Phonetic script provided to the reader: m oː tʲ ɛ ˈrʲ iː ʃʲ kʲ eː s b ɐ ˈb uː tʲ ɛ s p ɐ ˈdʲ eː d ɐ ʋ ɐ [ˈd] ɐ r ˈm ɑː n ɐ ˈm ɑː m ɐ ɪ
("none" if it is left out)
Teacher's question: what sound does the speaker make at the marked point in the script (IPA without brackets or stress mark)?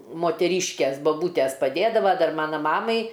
d